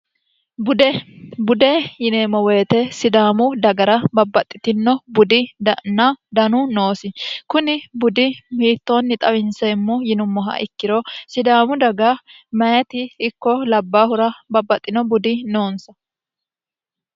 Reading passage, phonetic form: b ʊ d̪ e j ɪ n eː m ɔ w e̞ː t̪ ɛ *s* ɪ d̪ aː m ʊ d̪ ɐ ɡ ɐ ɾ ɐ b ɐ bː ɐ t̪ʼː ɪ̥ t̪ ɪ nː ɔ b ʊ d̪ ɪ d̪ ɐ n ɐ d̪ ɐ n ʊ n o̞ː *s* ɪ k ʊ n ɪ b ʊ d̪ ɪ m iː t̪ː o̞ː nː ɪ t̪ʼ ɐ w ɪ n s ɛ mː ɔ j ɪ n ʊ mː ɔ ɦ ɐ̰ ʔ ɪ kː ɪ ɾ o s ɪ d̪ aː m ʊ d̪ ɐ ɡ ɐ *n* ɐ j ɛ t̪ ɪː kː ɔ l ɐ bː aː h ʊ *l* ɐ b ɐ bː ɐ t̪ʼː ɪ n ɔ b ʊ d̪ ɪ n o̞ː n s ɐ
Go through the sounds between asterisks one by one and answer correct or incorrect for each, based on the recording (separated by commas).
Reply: correct, correct, incorrect, incorrect